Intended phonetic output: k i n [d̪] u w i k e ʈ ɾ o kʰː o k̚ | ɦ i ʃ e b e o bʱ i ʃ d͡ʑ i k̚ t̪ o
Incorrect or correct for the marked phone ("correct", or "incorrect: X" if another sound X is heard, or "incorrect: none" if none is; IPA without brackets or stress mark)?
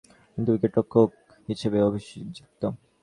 incorrect: t̪